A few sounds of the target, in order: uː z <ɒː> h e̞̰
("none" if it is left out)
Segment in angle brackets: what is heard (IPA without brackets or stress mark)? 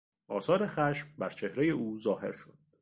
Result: ɒː